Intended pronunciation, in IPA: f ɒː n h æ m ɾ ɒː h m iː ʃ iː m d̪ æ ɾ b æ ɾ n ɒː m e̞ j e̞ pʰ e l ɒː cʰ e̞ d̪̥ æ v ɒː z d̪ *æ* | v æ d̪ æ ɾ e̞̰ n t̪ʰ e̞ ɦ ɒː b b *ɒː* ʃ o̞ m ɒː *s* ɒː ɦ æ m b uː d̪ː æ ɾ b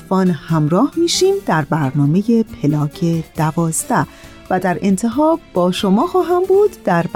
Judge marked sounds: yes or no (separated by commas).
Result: yes, yes, no